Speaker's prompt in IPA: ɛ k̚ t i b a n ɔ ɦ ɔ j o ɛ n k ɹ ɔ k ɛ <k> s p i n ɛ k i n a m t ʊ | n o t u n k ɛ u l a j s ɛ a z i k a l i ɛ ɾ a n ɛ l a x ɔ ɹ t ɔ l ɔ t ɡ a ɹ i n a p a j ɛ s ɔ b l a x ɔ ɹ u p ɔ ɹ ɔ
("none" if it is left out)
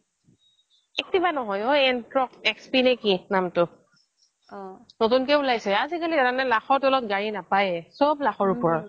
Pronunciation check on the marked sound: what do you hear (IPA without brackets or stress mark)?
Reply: k